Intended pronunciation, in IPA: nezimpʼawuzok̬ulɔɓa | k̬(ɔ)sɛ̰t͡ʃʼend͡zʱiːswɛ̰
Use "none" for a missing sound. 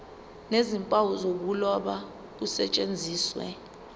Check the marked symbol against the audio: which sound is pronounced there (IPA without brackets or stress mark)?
u